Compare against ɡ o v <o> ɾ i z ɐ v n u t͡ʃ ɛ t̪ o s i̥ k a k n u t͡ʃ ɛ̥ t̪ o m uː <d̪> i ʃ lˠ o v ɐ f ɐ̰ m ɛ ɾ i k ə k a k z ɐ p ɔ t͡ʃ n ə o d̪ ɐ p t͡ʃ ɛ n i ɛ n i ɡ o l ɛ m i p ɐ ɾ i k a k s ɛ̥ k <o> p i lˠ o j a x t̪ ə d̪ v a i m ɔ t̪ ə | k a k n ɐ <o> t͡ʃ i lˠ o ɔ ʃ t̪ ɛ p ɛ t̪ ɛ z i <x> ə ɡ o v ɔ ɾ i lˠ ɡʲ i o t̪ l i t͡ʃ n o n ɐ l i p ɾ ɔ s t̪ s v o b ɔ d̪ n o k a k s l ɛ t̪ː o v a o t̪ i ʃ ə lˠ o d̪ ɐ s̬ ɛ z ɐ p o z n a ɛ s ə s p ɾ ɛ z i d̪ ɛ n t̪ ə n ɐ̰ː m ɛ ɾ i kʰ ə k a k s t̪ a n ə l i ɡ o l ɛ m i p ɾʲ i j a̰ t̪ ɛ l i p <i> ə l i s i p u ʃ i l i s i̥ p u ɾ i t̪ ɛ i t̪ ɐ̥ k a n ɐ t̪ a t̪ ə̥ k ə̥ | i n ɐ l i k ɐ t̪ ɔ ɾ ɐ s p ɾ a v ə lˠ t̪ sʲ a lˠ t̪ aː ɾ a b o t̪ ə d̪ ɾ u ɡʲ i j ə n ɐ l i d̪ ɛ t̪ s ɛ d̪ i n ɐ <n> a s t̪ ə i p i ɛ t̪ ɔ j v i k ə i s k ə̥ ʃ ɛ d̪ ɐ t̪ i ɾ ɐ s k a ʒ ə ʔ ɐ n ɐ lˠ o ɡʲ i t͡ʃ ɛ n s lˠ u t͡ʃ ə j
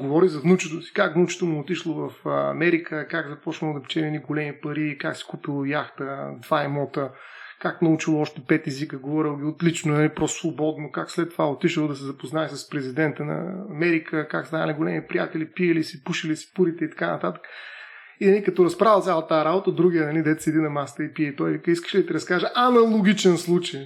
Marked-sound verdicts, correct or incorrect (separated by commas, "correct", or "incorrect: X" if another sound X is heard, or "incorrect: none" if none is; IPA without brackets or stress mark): incorrect: ɔ, incorrect: t̪, incorrect: u, incorrect: u, incorrect: k, correct, incorrect: m